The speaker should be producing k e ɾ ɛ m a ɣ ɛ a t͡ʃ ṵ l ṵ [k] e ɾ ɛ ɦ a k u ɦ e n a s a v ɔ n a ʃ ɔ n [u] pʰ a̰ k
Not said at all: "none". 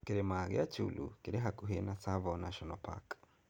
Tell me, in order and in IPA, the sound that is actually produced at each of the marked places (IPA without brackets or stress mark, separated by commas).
k, ɔ